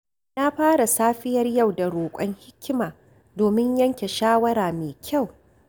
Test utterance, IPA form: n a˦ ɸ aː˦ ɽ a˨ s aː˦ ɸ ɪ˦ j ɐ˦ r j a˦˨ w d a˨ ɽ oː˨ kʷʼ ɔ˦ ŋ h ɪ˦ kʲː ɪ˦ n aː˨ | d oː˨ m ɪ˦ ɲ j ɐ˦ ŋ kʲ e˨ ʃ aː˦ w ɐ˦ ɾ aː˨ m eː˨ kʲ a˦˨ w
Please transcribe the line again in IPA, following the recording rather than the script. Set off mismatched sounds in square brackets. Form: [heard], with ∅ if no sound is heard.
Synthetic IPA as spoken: n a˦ ɸ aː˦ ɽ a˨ s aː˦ ɸ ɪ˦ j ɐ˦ r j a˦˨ w d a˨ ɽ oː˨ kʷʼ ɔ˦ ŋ h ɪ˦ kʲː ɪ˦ [m] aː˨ | d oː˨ m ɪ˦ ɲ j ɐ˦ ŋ kʲ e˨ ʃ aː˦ w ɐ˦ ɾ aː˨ m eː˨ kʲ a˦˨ w